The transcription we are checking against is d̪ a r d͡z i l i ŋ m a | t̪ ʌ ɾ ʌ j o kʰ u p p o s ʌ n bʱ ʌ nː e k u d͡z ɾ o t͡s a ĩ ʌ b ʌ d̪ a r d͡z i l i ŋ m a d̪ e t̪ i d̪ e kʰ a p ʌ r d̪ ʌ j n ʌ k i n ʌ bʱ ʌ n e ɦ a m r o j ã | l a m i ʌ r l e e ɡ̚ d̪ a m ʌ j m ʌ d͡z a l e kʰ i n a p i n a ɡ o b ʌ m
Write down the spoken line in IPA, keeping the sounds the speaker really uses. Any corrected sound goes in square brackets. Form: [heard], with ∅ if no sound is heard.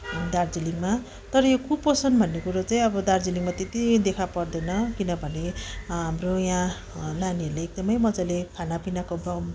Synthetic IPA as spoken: d̪ a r d͡z i l i ŋ m a | t̪ ʌ ɾ ʌ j o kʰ u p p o s ʌ n bʱ ʌ nː e k u [∅] ɾ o t͡s a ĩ ʌ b ʌ d̪ a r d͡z i l i ŋ m a [t̪] e t̪ i d̪ e kʰ a p ʌ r d̪ ʌ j n ʌ k i n ʌ bʱ ʌ n e ɦ a m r o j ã | l a [n] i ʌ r l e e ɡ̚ d̪ [ʌ] m ʌ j m ʌ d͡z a l e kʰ [a] n a p i n a [k] o b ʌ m